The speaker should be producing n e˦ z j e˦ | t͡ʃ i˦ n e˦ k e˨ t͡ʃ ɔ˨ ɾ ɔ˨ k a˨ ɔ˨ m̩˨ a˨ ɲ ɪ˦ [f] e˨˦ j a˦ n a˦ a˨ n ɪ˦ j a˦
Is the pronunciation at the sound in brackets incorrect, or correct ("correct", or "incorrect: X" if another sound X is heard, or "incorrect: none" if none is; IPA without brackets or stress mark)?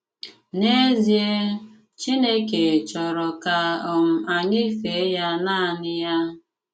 correct